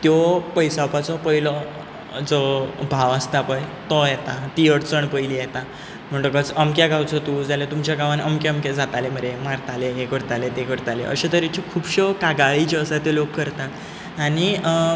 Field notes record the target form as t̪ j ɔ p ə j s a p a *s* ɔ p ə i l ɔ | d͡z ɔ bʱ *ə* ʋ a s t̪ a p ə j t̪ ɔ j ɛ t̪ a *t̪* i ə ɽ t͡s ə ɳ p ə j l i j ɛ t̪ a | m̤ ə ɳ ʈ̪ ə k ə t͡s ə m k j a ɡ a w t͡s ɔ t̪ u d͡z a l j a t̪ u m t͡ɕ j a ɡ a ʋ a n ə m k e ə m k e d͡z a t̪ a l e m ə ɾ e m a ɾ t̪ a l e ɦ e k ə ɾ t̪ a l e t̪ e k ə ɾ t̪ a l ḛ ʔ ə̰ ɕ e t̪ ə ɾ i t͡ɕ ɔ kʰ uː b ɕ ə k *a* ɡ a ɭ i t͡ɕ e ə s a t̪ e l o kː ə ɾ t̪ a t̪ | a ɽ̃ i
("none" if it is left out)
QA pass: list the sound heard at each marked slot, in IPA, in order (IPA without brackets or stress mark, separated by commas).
t͡s, a, t̪, a